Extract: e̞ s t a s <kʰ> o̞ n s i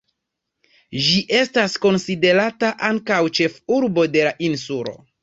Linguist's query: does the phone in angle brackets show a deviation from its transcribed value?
yes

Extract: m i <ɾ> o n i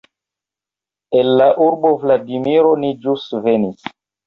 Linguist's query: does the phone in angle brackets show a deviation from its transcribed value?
no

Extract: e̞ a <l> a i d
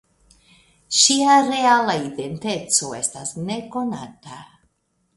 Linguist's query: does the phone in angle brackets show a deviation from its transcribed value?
no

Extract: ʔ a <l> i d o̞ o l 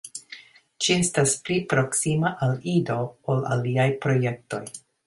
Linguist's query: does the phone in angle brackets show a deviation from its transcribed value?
no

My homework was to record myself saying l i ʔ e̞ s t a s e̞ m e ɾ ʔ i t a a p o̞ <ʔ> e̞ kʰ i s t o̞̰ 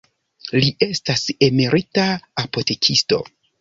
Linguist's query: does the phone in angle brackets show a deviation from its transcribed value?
yes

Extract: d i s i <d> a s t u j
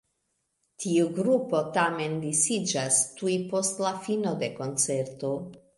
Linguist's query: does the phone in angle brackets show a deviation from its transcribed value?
yes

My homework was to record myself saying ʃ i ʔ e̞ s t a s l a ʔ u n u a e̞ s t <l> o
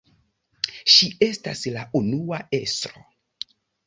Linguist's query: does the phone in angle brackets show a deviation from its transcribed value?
yes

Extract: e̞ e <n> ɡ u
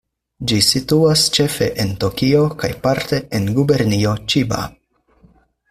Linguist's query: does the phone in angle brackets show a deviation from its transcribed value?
no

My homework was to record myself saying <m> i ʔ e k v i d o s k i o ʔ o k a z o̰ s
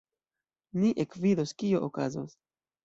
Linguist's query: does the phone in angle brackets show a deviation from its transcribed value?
yes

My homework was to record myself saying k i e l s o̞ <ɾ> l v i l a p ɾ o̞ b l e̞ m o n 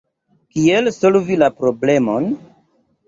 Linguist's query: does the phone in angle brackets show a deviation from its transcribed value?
yes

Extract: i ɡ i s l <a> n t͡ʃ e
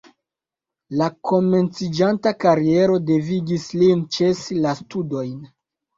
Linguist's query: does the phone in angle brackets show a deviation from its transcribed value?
yes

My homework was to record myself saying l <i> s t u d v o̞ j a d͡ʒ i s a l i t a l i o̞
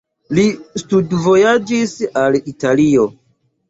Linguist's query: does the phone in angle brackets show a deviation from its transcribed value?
no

